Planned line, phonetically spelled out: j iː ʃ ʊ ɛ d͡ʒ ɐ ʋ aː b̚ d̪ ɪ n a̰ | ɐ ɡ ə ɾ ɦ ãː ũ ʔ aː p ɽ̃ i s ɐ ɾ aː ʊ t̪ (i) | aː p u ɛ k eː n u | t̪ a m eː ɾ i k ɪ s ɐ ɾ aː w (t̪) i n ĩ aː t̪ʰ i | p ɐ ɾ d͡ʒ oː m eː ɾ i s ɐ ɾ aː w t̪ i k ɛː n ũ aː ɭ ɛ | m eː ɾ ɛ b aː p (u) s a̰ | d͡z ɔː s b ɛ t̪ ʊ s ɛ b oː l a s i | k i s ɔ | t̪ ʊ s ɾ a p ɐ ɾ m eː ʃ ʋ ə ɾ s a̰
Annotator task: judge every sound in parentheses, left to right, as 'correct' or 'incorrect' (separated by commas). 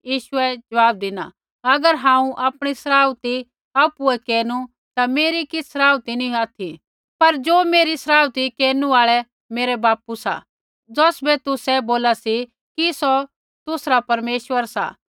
correct, correct, correct